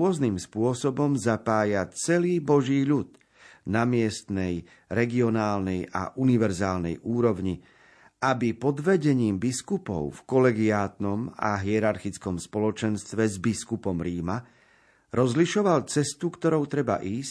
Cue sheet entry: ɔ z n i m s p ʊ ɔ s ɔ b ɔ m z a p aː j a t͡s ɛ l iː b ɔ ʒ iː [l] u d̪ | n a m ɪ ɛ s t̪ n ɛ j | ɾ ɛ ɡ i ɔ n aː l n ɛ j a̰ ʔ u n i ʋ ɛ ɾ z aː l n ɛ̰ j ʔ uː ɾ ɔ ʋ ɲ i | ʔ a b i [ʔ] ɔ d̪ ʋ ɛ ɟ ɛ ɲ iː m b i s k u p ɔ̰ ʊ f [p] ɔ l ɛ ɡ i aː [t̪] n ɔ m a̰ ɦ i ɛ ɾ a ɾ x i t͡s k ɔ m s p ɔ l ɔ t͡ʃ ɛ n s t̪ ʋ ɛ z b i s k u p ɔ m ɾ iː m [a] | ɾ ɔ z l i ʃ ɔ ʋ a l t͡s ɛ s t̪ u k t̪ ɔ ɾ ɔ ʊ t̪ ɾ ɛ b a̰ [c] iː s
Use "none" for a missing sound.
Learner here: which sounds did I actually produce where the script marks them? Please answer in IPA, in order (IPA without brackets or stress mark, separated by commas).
ʎ, p, k, t̪, a, ʔ